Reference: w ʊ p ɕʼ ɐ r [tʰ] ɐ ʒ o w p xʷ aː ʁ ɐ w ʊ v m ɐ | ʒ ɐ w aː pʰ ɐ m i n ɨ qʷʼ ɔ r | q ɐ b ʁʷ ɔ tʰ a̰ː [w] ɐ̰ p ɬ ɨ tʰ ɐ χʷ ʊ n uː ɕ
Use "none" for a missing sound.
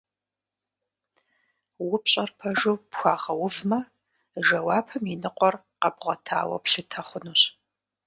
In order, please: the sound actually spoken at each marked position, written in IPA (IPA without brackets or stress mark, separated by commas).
pʰ, w